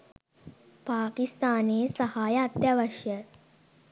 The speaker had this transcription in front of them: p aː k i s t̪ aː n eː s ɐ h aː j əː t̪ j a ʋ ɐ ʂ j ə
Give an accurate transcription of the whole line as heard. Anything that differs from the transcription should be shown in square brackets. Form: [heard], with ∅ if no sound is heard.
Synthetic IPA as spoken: p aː k i s t̪ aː n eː s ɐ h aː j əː t̪ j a ʋ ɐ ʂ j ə